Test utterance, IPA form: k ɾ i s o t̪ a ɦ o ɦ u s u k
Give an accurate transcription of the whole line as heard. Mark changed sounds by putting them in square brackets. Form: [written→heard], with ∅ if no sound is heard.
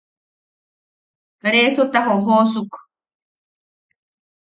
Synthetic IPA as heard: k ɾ [i→e] s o t̪ a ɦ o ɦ [u→o] s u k